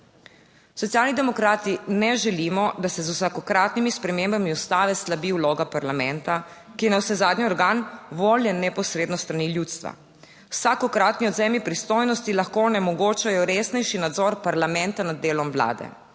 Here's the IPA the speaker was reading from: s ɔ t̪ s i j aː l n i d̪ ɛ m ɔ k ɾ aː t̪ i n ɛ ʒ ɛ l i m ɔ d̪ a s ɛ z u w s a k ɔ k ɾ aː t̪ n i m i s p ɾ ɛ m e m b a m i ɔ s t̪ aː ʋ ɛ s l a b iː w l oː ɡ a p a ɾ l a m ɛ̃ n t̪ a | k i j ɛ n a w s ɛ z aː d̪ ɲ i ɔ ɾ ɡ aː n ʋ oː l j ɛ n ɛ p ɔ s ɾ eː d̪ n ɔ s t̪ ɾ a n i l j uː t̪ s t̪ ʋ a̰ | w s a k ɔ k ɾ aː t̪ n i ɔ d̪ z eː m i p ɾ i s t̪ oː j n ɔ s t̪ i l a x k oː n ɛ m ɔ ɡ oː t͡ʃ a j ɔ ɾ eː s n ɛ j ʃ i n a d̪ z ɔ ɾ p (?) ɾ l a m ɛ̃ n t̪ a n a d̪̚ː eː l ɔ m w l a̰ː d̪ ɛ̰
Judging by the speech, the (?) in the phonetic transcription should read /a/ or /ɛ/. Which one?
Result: a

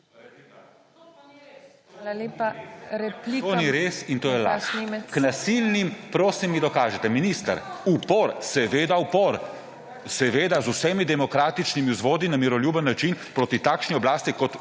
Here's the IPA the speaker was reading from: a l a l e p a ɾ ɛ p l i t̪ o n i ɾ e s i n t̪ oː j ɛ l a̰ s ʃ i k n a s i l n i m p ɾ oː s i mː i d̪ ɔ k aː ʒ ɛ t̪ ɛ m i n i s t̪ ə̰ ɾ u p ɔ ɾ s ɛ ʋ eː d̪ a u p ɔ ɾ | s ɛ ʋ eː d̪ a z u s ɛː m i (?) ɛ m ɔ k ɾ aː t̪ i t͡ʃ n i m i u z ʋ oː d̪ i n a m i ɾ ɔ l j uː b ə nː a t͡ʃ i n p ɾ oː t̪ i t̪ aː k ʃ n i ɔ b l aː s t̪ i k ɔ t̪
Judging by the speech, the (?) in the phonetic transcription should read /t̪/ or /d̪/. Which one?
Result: d̪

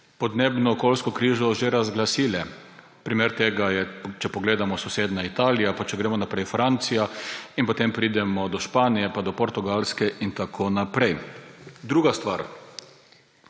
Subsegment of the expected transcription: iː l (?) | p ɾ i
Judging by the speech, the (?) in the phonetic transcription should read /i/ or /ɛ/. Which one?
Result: ɛ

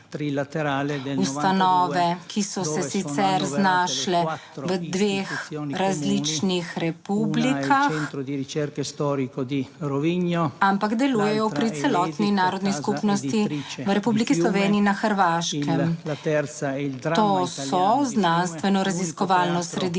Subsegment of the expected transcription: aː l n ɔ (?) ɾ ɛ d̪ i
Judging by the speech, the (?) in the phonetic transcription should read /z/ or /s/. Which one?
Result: s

